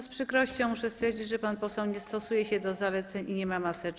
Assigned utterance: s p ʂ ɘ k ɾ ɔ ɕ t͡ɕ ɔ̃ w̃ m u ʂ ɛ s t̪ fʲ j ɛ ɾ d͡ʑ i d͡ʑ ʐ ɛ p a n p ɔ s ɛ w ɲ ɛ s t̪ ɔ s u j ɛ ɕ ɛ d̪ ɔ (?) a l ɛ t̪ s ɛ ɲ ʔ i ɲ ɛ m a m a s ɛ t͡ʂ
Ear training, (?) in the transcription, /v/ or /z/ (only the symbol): z